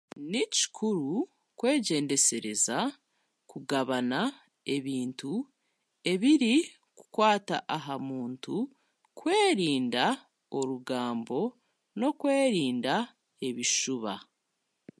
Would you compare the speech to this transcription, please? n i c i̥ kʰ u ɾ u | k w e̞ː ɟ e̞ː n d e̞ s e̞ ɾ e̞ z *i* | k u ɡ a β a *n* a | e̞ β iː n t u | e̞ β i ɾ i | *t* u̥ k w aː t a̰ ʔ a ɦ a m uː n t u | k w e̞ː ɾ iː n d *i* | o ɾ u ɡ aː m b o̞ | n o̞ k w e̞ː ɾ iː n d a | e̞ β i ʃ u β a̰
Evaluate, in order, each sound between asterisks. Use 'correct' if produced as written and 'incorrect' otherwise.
incorrect: a, correct, incorrect: k, incorrect: a

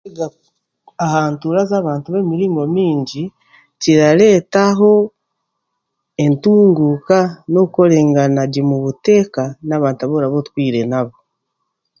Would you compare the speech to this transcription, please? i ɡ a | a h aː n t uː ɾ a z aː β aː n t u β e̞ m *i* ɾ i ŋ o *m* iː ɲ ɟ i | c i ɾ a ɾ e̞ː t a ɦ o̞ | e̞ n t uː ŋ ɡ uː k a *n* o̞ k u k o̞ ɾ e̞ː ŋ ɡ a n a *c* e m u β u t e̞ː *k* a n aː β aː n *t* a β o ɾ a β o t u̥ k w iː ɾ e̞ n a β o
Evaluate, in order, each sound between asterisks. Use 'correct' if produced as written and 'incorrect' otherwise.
correct, correct, correct, incorrect: ɟ, correct, correct

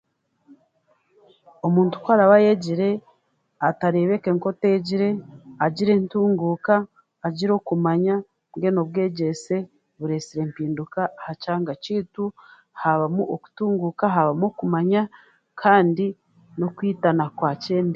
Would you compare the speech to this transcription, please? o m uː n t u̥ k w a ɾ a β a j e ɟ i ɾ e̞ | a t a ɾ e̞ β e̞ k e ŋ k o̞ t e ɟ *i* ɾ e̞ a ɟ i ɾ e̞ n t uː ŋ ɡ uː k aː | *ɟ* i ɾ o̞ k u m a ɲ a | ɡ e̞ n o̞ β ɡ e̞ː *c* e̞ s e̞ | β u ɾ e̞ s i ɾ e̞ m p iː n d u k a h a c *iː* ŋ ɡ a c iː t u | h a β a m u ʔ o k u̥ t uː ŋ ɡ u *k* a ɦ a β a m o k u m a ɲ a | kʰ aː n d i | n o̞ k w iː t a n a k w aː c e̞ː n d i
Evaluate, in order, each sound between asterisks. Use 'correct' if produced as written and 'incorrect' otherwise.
correct, correct, incorrect: ɟ, incorrect: aː, correct

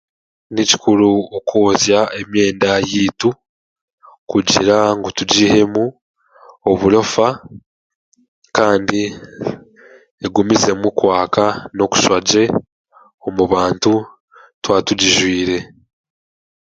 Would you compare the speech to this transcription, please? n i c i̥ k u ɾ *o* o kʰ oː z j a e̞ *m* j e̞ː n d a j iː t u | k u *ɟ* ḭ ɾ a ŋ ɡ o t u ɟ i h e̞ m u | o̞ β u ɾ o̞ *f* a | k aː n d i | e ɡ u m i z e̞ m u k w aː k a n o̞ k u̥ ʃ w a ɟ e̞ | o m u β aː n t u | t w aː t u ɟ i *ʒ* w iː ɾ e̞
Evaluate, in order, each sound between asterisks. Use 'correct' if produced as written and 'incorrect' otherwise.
incorrect: u, correct, correct, correct, correct

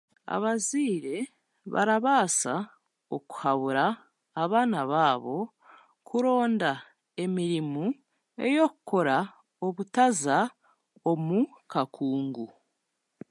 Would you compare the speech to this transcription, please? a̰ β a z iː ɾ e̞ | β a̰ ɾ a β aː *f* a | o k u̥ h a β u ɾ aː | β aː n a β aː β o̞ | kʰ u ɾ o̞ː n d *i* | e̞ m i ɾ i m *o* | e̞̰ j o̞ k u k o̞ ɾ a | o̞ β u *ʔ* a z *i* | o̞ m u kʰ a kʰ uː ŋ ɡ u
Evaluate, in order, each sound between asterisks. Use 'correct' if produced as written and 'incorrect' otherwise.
incorrect: s, incorrect: a, incorrect: u, incorrect: t, incorrect: a

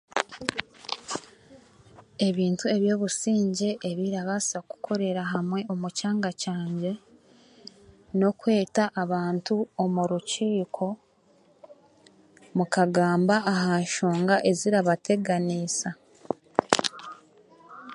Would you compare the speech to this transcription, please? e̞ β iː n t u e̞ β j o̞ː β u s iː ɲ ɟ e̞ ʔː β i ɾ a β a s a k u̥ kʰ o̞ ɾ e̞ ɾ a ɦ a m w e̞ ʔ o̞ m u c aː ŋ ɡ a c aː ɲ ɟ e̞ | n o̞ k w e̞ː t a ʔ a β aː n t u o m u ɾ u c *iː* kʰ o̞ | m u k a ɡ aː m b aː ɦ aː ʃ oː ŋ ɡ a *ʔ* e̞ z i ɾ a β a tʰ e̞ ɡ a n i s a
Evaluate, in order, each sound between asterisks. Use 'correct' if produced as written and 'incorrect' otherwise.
correct, correct

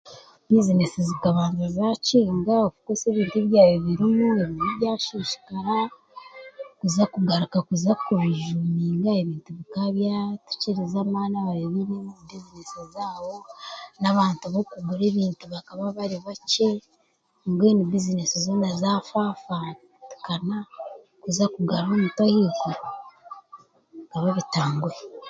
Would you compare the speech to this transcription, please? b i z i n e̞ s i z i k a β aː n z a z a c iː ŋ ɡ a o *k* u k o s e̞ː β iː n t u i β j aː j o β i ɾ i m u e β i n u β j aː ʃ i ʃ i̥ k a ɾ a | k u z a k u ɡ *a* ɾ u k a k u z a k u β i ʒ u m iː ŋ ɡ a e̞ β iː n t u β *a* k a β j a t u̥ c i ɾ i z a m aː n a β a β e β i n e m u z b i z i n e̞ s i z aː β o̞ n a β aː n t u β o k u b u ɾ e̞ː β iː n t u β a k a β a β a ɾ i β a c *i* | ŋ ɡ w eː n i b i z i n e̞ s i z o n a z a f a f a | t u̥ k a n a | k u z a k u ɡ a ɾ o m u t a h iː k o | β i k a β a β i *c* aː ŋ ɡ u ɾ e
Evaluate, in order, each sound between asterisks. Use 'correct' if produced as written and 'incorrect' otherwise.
correct, correct, incorrect: i, incorrect: e, incorrect: t

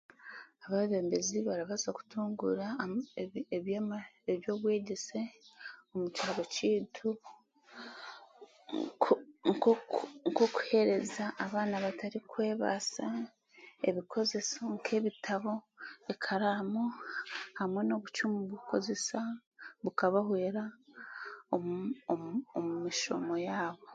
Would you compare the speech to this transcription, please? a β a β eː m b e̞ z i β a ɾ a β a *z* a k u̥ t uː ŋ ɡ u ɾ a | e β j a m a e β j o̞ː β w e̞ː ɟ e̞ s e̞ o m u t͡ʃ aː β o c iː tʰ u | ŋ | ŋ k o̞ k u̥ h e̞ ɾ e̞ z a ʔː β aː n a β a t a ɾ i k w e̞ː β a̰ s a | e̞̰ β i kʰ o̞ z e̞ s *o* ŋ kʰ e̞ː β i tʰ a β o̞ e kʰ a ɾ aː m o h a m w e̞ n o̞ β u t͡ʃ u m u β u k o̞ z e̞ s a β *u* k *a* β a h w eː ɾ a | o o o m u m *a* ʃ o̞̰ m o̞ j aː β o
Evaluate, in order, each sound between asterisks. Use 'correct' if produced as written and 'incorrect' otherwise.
correct, correct, correct, correct, incorrect: i

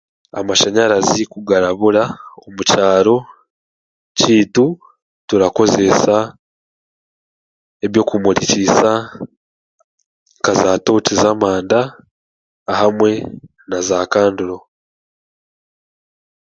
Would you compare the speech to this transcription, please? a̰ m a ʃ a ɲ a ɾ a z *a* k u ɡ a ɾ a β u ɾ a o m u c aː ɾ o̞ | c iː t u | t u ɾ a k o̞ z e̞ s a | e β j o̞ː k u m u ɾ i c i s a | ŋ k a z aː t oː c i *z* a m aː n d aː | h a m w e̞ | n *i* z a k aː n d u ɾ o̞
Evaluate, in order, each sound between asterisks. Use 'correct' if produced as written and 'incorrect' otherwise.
incorrect: i, correct, incorrect: a

